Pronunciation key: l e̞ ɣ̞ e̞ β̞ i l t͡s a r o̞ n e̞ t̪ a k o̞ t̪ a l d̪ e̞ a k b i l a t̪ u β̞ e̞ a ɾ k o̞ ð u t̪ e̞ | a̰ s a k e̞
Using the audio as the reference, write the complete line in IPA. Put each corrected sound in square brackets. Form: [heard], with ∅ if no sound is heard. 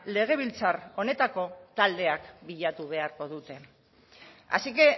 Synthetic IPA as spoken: l e̞ ɣ̞ e̞ β̞ i l t͡s a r o̞ n e̞ t̪ a k o̞ t̪ a l d̪ e̞ a k b i [ʎ] a t̪ u β̞ e̞ a ɾ k o̞ ð u t̪ e̞ | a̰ s [i] k e̞